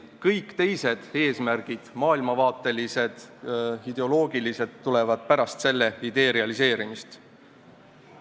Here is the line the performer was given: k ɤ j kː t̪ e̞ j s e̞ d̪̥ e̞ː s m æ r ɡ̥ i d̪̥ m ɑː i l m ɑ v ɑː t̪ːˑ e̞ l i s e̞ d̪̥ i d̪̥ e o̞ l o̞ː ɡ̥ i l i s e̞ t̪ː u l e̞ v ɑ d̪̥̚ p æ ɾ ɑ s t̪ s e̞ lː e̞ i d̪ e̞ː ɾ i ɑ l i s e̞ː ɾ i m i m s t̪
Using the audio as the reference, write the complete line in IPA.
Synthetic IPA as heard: k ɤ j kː t̪ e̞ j s e̞ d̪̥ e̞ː s m æ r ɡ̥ i d̪̥ m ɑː i l m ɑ v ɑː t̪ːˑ e̞ l i s e̞ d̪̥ i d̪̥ e o̞ l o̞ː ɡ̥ i l i s e̞ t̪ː u l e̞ v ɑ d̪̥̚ p æ ɾ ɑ s t̪ s e̞ lː e̞ i d̪ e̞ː ɾ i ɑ l i s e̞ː ɾ i m i s t̪

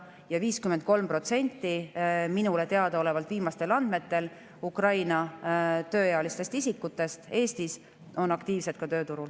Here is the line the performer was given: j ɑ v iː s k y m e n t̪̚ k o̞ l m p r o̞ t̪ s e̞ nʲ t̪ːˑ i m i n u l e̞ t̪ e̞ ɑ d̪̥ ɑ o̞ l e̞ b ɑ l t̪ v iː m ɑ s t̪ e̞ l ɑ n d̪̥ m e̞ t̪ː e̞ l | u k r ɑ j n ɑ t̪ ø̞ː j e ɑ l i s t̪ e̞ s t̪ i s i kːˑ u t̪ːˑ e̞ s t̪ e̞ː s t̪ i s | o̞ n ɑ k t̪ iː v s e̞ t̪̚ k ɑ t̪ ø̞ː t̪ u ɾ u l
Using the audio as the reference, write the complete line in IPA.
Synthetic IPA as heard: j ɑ v iː s k y m e n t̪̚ k o̞ l m p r o̞ t̪ s e̞ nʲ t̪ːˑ i m i n u l e̞ t̪ e̞ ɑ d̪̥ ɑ o̞ l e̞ v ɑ l t̪ v iː m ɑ s t̪ e̞ l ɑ n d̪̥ m e̞ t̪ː e̞ l | u k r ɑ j n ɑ t̪ ø̞ː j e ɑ l i s t̪ e̞ s t̪ i s i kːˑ u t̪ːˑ e̞ s t̪ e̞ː s t̪ i s | o̞ n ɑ k t̪ iː v s e̞ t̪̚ k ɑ t̪ ø̞ː t̪ u ɾ u l

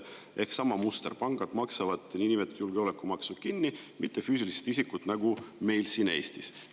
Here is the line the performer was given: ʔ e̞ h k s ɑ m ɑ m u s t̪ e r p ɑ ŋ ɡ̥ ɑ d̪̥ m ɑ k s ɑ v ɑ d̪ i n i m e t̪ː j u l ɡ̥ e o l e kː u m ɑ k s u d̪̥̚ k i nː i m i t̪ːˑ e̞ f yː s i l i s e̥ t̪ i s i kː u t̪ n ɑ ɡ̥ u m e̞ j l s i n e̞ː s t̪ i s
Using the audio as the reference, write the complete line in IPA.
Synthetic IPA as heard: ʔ e̞ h k s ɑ m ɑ m u s t̪ e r p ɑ ŋ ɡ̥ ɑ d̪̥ m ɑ k s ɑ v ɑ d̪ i n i m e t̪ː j u l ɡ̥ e o l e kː u m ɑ k s u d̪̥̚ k i nː i m i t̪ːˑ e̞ f yː s i l i s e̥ t̪ i s i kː u t̪ n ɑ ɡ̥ u m e̞ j l s i n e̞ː s t̪ i s

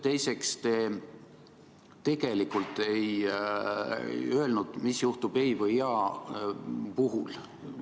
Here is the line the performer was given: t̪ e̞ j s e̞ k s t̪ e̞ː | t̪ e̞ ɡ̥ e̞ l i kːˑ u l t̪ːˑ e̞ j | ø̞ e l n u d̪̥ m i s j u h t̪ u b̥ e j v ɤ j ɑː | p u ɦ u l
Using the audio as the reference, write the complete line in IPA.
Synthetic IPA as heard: t̪ e̞ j s e̞ k s t̪ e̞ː | t̪ e̞ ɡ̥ e̞ l i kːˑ u l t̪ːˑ e̞ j | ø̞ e l n u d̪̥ m i s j u h t̪ u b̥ e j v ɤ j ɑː | p u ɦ u l

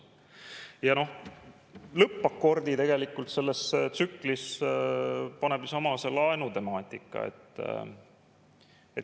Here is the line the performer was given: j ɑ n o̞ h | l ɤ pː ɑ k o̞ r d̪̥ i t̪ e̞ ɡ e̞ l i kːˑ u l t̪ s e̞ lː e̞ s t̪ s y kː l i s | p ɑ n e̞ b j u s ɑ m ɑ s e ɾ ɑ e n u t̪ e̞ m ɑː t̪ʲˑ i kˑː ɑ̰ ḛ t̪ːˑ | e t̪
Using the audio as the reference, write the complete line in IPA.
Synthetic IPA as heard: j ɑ n o̞ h | l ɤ pː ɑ k o̞ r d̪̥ i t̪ e̞ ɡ e̞ l i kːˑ u l t̪ s e̞ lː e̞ s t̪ s y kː l i s | p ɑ n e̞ b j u s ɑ m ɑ s e l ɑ e n u t̪ e̞ m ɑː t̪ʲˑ i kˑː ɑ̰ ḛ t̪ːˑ | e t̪

